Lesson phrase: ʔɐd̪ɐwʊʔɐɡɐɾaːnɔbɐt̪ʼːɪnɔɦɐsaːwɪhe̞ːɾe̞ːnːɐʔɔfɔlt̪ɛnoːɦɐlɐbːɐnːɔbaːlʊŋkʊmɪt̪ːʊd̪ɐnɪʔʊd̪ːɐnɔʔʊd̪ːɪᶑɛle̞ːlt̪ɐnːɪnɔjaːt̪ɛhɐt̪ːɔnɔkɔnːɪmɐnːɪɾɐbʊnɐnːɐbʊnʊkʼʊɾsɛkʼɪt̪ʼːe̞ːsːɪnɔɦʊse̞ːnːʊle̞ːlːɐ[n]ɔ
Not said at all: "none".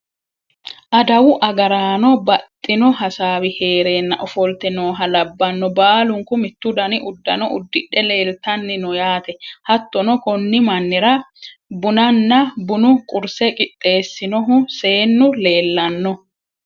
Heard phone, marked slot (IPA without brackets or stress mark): nː